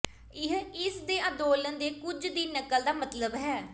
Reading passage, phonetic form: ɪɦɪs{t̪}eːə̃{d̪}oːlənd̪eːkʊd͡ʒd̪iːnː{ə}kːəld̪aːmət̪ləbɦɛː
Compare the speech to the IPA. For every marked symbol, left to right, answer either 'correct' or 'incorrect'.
incorrect: d̪, correct, correct

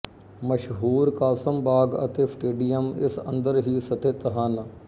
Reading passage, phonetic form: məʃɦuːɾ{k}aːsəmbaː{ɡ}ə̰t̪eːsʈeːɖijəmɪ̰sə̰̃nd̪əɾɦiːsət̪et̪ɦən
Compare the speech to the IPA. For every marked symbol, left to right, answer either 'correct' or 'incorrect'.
correct, correct

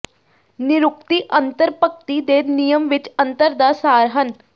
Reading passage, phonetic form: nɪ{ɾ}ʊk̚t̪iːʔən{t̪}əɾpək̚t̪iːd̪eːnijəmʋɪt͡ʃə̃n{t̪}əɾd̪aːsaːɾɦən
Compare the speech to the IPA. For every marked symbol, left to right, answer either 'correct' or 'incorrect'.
correct, correct, correct

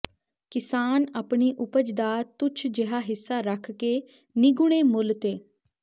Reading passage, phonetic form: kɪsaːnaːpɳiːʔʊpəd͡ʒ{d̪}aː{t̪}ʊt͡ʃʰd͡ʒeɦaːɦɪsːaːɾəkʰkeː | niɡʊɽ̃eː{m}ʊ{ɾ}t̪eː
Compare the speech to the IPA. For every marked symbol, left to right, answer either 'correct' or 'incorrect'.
correct, correct, correct, incorrect: l

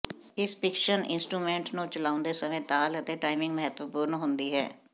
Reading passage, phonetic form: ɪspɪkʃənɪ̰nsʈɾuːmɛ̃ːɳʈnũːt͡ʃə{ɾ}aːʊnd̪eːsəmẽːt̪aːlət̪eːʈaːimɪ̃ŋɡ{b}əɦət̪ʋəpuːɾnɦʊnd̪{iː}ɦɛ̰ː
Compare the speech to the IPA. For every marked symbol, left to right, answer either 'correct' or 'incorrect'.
incorrect: l, incorrect: m, correct

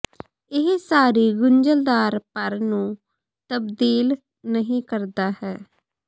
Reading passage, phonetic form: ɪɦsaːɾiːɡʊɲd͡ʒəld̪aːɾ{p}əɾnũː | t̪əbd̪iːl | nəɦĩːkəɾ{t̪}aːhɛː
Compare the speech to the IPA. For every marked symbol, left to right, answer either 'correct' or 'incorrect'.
correct, incorrect: d̪

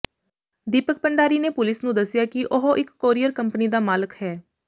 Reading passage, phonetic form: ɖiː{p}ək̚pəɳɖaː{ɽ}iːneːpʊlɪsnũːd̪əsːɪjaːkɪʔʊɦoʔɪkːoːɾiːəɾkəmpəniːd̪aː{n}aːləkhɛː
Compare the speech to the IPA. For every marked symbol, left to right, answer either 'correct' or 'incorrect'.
correct, incorrect: ɾ, incorrect: m

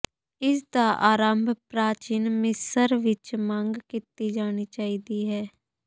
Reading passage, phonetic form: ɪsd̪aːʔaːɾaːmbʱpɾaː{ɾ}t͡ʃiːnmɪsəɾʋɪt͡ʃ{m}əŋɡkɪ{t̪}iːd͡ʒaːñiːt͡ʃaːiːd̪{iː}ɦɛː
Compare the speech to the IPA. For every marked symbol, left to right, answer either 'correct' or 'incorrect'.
incorrect: none, correct, correct, correct

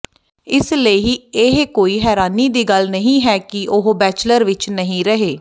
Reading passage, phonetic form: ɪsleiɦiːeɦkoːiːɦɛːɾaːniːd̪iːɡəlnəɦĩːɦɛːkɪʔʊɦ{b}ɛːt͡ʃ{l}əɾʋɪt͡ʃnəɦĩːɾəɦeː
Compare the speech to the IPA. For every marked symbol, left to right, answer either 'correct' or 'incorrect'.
correct, correct

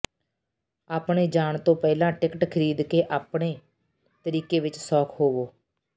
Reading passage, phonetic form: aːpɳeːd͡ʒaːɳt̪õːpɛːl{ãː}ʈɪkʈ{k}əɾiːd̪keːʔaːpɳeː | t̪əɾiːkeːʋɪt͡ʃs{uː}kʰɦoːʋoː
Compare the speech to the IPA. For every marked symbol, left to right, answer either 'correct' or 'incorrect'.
correct, incorrect: kʰ, incorrect: ɔː

